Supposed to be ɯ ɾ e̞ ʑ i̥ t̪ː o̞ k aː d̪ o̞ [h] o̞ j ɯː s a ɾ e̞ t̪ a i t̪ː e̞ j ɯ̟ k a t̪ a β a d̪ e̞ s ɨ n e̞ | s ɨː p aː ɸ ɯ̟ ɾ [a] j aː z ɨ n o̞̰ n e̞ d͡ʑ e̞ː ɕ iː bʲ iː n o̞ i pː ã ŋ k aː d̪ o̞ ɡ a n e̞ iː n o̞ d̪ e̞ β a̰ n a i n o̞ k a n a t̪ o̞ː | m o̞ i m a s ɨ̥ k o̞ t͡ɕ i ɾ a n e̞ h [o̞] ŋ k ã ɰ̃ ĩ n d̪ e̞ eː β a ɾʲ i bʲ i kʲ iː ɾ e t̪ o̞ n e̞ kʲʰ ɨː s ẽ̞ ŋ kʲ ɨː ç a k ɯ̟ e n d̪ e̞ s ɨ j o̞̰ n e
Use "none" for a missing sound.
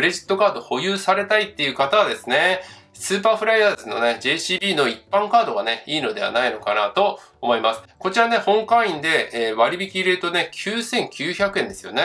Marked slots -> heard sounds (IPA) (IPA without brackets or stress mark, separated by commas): h, a, õ̞